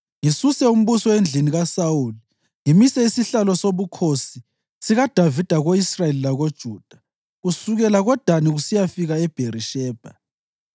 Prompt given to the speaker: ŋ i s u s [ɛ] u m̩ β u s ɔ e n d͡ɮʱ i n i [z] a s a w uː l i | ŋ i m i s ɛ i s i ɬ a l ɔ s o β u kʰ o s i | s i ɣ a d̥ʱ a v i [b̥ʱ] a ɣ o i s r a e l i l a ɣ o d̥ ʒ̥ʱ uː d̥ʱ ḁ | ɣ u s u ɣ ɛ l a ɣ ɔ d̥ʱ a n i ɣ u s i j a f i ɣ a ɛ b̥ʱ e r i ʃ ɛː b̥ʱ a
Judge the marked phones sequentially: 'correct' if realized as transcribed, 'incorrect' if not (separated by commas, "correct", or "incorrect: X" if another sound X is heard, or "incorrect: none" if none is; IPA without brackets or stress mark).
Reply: correct, incorrect: ɣ, incorrect: d̥ʱ